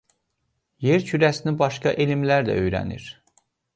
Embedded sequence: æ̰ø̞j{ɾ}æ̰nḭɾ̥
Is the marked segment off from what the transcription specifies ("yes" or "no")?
no